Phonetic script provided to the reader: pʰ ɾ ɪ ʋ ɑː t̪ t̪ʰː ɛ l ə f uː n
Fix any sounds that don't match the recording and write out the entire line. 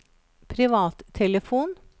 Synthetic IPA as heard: pʰ ɾ ɪ ʋ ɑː t̪ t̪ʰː ɛ l ə f uː n